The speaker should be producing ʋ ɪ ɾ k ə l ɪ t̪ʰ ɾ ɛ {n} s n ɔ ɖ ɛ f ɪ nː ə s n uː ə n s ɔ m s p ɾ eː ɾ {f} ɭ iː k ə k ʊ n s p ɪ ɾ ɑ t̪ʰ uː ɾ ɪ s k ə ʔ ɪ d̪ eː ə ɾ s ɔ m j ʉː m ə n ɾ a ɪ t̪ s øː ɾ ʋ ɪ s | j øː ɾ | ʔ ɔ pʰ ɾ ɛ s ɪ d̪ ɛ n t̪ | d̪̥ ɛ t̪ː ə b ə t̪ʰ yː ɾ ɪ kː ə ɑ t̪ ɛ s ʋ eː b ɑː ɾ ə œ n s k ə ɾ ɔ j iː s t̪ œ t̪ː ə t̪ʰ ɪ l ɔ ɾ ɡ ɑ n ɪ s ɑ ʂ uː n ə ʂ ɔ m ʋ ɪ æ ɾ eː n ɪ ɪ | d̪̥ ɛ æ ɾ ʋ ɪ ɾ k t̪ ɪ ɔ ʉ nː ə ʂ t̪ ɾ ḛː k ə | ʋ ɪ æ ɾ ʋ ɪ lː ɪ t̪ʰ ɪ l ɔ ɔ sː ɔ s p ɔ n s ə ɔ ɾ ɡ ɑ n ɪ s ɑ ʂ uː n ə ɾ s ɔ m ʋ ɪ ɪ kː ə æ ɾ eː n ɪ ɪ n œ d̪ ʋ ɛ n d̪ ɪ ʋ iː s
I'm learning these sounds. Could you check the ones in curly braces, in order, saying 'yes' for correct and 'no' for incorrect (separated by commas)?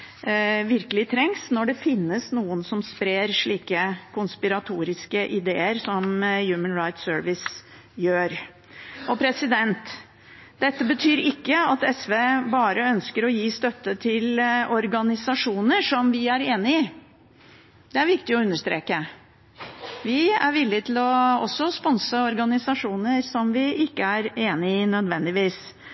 no, no